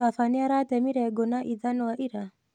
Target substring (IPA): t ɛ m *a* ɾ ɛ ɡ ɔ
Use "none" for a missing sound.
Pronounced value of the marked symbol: i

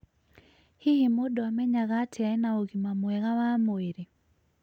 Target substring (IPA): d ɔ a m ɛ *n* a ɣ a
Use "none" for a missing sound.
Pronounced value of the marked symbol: ɲ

